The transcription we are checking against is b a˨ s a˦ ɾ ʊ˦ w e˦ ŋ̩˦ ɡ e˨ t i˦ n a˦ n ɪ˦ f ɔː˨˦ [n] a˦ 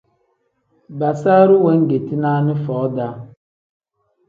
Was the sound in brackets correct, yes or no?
no